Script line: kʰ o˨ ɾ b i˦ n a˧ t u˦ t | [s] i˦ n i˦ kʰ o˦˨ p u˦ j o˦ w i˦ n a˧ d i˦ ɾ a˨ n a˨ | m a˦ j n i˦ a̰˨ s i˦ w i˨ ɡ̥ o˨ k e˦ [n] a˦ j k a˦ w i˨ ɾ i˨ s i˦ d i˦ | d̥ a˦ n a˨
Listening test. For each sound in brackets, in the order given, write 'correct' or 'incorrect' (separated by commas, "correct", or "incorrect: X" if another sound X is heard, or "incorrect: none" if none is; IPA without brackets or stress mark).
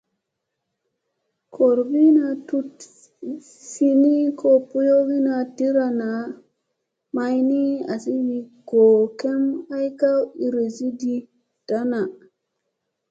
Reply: correct, incorrect: m